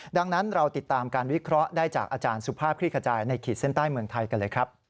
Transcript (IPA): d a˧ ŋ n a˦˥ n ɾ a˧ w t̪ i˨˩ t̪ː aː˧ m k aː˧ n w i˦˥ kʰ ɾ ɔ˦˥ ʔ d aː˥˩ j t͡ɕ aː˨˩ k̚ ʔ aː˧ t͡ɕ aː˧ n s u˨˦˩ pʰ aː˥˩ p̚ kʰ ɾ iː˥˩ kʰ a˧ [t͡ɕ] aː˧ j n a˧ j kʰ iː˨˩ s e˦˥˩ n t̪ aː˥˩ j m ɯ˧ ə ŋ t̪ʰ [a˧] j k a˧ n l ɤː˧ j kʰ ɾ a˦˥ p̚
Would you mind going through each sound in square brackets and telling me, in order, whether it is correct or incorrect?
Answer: correct, correct

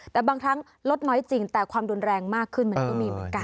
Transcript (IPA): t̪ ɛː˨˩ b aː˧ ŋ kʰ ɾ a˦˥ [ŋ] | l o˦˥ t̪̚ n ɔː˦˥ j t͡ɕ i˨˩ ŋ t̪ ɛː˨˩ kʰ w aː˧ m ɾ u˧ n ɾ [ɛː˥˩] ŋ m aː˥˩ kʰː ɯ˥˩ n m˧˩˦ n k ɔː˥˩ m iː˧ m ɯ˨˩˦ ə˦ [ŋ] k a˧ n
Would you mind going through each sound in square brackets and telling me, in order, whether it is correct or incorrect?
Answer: correct, incorrect: ɛː˧, incorrect: n

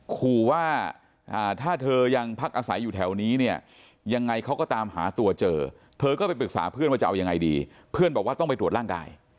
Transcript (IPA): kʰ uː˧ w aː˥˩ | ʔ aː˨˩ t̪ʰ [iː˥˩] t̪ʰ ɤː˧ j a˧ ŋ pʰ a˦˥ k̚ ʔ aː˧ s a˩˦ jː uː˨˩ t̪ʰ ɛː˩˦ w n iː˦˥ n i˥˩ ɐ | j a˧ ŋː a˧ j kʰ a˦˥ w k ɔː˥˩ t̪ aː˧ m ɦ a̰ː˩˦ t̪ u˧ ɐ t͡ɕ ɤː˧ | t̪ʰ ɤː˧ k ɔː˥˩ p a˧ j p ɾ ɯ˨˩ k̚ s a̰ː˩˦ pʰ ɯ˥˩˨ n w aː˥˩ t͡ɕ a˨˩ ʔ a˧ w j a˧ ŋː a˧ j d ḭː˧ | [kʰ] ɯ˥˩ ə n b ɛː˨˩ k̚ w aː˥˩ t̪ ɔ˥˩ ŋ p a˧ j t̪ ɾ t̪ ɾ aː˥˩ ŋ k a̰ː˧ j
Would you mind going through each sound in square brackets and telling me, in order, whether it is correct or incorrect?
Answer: incorrect: aː˥˩, incorrect: pʰ

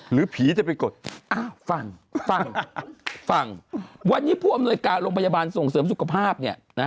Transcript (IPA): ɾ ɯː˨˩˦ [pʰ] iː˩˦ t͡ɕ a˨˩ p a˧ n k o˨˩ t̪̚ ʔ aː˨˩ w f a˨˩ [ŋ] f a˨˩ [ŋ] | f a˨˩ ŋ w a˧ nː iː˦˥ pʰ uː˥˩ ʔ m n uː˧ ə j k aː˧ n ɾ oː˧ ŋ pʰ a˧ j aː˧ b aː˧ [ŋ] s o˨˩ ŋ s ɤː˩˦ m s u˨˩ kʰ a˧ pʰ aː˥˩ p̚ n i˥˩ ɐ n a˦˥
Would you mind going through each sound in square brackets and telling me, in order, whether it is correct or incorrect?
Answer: correct, correct, correct, incorrect: n

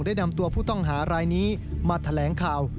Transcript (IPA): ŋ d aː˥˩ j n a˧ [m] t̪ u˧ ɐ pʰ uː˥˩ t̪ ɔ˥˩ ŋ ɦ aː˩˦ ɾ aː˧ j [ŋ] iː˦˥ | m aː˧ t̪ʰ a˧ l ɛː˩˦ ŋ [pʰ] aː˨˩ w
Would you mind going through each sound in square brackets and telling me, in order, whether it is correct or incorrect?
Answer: correct, incorrect: n, incorrect: kʰ

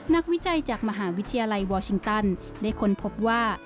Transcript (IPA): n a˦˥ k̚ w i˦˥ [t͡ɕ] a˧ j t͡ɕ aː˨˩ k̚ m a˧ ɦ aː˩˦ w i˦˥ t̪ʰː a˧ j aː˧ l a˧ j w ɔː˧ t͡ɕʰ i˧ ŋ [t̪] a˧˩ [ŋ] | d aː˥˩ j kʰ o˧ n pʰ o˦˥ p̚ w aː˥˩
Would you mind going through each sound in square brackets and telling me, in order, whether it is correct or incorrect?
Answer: correct, correct, incorrect: n

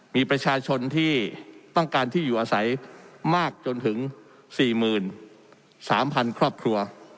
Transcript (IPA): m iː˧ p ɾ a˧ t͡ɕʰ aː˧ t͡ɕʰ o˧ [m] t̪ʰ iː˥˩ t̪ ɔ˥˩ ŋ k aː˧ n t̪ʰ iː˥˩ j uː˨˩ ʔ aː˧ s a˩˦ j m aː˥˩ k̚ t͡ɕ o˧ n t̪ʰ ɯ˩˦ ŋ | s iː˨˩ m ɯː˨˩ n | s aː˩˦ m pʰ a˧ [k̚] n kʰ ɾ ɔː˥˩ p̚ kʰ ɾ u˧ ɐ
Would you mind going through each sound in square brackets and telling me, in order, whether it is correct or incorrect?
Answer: incorrect: n, incorrect: none

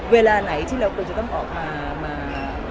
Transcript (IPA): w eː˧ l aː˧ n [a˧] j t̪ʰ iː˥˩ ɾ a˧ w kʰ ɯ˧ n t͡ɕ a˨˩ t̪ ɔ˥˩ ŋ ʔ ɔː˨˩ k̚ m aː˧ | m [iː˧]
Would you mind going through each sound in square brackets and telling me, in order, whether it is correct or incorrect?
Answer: incorrect: a˩˦, incorrect: aː˧

